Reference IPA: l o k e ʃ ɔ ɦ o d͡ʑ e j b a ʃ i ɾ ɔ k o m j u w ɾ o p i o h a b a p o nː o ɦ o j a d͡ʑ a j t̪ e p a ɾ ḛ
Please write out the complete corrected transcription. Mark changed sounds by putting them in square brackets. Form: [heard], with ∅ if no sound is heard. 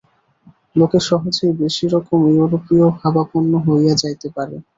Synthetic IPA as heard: l o k e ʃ ɔ ɦ o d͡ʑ e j b [e] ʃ i ɾ ɔ k o m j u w ɾ o p i o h a b a p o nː o ɦ o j a d͡ʑ a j t̪ e p a ɾ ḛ

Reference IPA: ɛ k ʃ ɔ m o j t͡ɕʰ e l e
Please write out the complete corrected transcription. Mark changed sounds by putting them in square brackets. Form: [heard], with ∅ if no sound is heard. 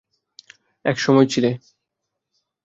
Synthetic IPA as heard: ɛ k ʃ ɔ m [ɔ] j t͡ɕʰ [i] l e

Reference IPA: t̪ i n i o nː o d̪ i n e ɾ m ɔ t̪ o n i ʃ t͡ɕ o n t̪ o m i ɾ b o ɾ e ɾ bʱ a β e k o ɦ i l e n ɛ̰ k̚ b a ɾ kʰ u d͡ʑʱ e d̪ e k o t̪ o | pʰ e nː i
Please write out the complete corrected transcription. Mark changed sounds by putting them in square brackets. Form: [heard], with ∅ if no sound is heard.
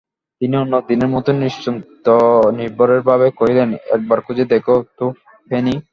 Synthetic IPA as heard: t̪ i n i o nː o d̪ i n e ɾ m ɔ t̪ o n i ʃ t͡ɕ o n t̪ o [n] i ɾ b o ɾ e ɾ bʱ a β e k o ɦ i l e n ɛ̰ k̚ b a ɾ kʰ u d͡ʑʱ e d̪ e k o t̪ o | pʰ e [n] i

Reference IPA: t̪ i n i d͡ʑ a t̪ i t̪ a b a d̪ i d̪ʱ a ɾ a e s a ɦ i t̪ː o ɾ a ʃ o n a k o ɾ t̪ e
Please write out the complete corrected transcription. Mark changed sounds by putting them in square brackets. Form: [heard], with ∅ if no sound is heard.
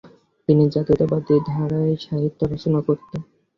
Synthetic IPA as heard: t̪ i n i d͡ʑ a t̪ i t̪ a b a d̪ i d̪ʱ a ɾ a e [ʃ] a ɦ i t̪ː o ɾ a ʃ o n a k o ɾ t̪ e

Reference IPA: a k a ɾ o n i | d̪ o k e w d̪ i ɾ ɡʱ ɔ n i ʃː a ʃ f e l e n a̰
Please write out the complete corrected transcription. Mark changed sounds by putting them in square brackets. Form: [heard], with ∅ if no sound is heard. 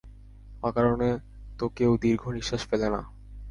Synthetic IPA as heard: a k a ɾ o n [e] | [t̪] o k e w d̪ i ɾ ɡʱ [o] n i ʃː a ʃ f e l e n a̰

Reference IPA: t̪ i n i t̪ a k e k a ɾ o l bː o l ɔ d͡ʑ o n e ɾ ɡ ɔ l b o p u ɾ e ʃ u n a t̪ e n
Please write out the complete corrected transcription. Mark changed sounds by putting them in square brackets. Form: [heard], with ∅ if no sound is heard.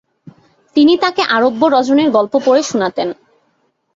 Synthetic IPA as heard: t̪ i n i t̪ a k e [ʔ] a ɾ o [∅] bː o [ɾ] ɔ d͡ʑ o n e ɾ ɡ ɔ l [p] o p [o] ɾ e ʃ u n a t̪ e n

